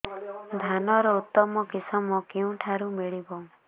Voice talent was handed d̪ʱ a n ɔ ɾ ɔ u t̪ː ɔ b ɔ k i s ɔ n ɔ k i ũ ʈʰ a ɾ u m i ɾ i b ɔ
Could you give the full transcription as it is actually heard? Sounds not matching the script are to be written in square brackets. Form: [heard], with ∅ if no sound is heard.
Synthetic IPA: d̪ʱ a n ɔ ɾ ɔ u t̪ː ɔ [m] ɔ k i s ɔ [m] ɔ k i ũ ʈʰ a ɾ u m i [ɭ] i b ɔ